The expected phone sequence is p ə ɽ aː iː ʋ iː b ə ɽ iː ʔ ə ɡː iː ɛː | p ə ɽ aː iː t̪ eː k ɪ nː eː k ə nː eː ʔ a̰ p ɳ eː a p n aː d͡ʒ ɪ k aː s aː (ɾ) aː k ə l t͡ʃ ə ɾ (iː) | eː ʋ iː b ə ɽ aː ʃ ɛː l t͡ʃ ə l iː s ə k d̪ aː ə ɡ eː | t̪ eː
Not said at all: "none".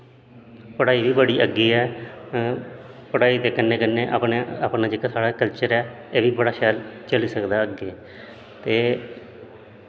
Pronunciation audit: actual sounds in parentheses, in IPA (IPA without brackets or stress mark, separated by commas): ɽ, ɛː